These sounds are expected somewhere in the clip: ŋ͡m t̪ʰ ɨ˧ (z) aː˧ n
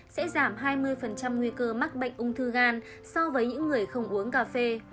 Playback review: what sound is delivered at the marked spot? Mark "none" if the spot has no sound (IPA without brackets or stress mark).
ɣ